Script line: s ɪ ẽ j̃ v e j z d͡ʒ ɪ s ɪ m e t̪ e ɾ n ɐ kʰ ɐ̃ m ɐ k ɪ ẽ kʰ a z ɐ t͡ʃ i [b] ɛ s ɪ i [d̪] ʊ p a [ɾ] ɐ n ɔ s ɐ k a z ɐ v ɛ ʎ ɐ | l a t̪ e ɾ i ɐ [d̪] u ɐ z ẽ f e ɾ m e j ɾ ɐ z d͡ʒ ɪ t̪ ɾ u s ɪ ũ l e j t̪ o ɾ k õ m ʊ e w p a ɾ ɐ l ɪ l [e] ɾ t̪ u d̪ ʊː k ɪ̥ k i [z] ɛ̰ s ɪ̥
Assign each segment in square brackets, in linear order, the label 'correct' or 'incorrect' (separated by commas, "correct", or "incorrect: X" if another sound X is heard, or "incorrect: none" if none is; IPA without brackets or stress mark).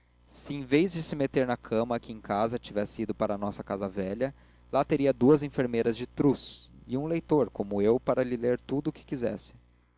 incorrect: v, correct, correct, correct, correct, correct